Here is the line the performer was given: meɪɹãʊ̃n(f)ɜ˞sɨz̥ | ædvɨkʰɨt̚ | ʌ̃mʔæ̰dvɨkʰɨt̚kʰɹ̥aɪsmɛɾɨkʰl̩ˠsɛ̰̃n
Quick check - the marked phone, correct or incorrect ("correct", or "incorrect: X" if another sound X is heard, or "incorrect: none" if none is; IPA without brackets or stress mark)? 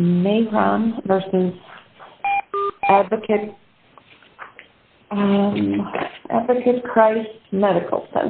incorrect: v